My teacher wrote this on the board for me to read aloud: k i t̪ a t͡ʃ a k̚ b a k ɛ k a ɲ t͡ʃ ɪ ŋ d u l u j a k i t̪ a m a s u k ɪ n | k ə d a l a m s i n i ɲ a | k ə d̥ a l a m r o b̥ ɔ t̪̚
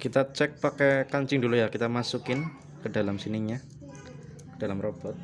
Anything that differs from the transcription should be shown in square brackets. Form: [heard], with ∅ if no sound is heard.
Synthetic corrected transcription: k i t̪ a t͡ʃ [ɛ] k̚ [p] a k ɛ k a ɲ t͡ʃ ɪ ŋ d u l u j a k i t̪ a m a s u k ɪ n | k ə d a l a m s i n i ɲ a | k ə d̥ a l a m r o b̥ ɔ t̪̚